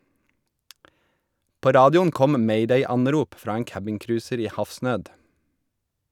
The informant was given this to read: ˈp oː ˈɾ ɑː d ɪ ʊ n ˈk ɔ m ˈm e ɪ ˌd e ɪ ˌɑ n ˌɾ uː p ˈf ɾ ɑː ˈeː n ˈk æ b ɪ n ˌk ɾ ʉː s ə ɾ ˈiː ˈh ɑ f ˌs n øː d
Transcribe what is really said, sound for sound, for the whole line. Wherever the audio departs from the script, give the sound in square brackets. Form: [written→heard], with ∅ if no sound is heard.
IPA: ˈp oː ˈɾ ɑː d ɪ ʊ n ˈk ɔ m ˈm e ɪ ˌd e ɪ ˌɑ n ˌɾ uː p ˈf ɾ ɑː ˈeː [n→ŋ] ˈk æ b ɪ [n→ŋ] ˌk ɾ ʉː s ə ɾ ˈiː ˈh ɑ f ˌs n øː d